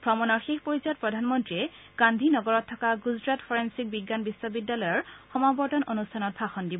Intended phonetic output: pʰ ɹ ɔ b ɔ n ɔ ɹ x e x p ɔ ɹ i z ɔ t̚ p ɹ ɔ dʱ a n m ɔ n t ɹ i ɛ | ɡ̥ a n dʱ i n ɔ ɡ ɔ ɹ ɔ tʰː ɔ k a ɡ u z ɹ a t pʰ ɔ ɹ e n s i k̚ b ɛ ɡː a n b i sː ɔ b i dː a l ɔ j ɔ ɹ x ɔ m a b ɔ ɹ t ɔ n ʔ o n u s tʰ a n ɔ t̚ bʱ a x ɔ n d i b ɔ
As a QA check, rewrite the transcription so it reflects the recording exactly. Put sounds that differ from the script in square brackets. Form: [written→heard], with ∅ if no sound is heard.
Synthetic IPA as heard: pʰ ɹ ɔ [b→m] ɔ n ɔ ɹ x e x p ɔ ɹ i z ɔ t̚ p ɹ ɔ dʱ a n m ɔ n t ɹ i ɛ | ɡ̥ a n dʱ i n ɔ ɡ ɔ ɹ ɔ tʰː ɔ k a ɡ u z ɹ a t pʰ ɔ ɹ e n s i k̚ b [ɛ→i] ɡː a n b i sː ɔ b i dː a l ɔ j ɔ ɹ x ɔ m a b ɔ ɹ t ɔ n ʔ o n u s tʰ a n ɔ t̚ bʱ a x ɔ n d i b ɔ

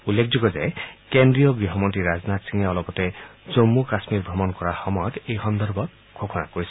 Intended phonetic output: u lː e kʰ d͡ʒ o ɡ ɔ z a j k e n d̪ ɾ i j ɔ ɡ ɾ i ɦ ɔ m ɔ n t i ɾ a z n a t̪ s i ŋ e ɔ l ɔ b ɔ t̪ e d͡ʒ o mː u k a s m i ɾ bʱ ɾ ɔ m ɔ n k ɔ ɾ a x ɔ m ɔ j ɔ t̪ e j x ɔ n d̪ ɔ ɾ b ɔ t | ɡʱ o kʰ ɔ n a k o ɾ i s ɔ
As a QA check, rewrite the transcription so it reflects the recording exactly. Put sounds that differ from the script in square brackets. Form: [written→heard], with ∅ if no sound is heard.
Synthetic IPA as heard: u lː e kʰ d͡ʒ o ɡ ɔ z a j k e n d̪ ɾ i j ɔ ɡ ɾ i ɦ ɔ m ɔ n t i ɾ a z n a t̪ s i ŋ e ɔ l ɔ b ɔ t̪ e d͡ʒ o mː u k a s m i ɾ bʱ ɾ ɔ m ɔ n k ɔ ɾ a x ɔ m ɔ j ɔ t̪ e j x ɔ n d̪ ɔ ɾ b ɔ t | ɡʱ o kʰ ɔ n a k o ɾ i s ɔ

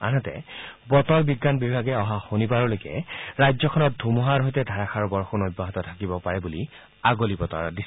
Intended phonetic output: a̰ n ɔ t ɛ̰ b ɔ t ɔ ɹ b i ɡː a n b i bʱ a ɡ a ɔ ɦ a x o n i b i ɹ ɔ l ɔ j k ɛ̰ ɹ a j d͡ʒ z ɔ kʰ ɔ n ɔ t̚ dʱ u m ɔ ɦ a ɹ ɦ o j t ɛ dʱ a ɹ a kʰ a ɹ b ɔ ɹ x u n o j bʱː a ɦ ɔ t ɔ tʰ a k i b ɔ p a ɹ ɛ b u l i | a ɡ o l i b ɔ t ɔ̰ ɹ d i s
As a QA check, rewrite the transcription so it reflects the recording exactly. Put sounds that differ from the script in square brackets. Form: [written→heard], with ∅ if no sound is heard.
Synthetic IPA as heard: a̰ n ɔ t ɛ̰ b ɔ t ɔ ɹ b i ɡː a n b i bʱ a ɡ [a→ɛ] ɔ ɦ a x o n i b [i→a] ɹ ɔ l [ɔ→o] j k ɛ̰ ɹ a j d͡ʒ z ɔ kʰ ɔ n ɔ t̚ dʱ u m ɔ ɦ a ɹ ɦ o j t ɛ dʱ a ɹ a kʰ a ɹ b ɔ ɹ x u n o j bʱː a ɦ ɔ t ɔ tʰ a k i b ɔ p a ɹ ɛ b u l i | a ɡ o l i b ɔ t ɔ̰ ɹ d i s

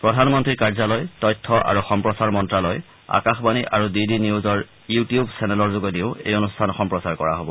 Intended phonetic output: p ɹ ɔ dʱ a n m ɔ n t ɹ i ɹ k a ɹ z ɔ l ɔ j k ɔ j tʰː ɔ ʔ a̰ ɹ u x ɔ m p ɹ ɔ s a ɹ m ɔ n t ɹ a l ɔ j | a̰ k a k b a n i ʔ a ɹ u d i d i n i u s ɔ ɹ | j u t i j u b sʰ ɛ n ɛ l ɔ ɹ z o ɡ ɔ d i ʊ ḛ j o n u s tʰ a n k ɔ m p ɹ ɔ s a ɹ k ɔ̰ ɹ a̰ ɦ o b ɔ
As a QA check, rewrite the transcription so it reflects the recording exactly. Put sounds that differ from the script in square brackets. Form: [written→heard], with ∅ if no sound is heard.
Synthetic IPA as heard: p ɹ ɔ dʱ a n m ɔ n t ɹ i ɹ k a ɹ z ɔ l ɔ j [k→t] ɔ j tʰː ɔ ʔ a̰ ɹ u x ɔ m p ɹ ɔ s a ɹ m ɔ n t ɹ a l ɔ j | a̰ k a [k→x] b a n i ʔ a ɹ u d i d i n i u [s→z] ɔ ɹ | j u t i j u b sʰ ɛ n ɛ l ɔ ɹ z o ɡ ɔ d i ʊ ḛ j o n u s tʰ a n [k→x] ɔ m p ɹ ɔ s a ɹ k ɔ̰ ɹ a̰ ɦ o b ɔ

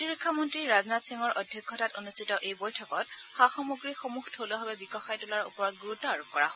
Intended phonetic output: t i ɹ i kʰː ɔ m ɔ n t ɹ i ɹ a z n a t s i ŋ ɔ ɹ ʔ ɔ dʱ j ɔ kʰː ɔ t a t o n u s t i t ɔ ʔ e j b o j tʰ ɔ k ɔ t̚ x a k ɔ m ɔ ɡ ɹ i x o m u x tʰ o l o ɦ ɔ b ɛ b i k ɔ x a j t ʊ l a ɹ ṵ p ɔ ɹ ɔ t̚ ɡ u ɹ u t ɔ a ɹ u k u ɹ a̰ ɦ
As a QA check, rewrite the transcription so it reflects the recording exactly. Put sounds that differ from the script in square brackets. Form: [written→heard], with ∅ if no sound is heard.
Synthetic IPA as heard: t i ɹ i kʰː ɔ m ɔ n t ɹ i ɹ a z n a t s i ŋ ɔ ɹ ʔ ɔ dʱ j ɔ kʰː ɔ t a t o n u s t i t ɔ ʔ e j b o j tʰ ɔ k ɔ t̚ x a [k→x] ɔ m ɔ ɡ ɹ i x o m u x tʰ o l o ɦ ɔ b ɛ b i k ɔ x a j t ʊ l a ɹ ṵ p ɔ ɹ ɔ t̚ ɡ u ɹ u t ɔ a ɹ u k [u→ɔ] ɹ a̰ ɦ

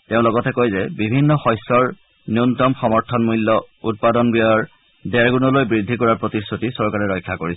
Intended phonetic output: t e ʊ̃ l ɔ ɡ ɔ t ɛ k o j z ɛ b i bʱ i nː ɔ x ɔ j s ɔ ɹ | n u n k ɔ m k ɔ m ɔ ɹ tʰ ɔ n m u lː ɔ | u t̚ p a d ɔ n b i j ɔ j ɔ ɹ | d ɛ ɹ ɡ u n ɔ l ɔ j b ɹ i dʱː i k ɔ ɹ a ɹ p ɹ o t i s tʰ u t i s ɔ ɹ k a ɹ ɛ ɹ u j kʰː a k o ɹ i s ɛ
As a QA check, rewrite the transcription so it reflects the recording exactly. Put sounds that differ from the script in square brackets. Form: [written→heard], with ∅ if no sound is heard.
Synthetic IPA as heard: t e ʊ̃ l ɔ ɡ ɔ t ɛ k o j z ɛ b i bʱ i nː ɔ x ɔ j s ɔ ɹ | n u n [k→t] ɔ m [k→x] ɔ m ɔ ɹ tʰ ɔ n m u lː ɔ | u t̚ p a d ɔ n b i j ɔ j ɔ ɹ | d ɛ ɹ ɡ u n ɔ l [ɔ→o] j b ɹ i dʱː i k ɔ ɹ a ɹ p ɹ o t i s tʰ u t i s ɔ ɹ k a ɹ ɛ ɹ [u→ɔ] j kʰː a k o ɹ i s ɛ

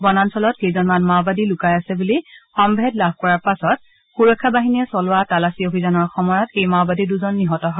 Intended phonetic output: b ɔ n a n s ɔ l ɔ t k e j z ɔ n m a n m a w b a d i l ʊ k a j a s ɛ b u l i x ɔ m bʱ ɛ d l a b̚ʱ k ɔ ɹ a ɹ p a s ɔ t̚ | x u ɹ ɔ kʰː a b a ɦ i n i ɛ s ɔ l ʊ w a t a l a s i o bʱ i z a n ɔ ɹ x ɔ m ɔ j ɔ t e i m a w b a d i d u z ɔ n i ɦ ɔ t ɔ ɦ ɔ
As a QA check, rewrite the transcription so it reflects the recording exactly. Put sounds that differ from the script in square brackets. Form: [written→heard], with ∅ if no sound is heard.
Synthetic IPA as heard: b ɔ n a n s ɔ l ɔ t k e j z ɔ n m a n m a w b a d i l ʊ k a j a s ɛ b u l i x ɔ m bʱ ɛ d l a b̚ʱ k ɔ ɹ a ɹ p a s ɔ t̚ | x u ɹ ɔ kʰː a b a ɦ i n i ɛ s ɔ l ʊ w a t a l a s i o bʱ i z a n ɔ ɹ x ɔ m ɔ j ɔ t e [i→j] m a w b a d i d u z ɔ [n→nː] i ɦ ɔ t ɔ ɦ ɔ

